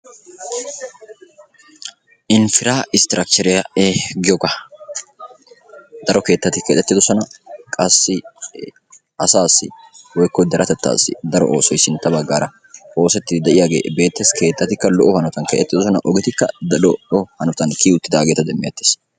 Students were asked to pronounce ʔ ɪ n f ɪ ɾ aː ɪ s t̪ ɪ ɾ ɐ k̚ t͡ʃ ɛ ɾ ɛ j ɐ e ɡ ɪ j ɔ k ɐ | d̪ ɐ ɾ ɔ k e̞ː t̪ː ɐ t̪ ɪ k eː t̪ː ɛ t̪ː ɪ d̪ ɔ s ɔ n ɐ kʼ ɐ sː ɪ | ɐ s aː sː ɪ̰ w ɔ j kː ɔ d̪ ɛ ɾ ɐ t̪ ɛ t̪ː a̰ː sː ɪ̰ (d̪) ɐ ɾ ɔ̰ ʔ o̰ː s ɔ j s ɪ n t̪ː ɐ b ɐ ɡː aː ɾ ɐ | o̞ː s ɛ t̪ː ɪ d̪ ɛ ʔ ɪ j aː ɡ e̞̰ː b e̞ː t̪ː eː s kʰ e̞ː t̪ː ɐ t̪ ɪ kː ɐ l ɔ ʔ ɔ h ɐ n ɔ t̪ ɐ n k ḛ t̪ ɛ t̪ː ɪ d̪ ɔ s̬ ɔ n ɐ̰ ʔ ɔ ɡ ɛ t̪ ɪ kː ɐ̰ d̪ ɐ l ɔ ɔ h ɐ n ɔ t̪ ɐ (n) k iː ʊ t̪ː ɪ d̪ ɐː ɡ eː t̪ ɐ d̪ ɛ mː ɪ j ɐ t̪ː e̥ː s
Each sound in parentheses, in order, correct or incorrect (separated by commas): correct, correct